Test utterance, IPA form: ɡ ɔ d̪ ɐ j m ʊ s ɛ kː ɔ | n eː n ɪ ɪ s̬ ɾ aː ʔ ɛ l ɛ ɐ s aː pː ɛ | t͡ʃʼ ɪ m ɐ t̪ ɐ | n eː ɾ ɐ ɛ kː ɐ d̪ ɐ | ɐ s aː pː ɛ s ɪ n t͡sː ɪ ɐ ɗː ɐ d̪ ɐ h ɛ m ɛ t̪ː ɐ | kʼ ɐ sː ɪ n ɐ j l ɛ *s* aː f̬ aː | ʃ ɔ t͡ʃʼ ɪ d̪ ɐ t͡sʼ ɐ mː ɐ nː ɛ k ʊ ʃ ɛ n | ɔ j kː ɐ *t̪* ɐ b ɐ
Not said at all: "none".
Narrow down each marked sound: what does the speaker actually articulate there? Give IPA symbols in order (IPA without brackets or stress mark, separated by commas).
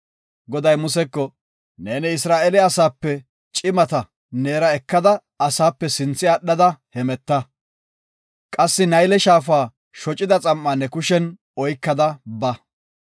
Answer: ʃ, d̪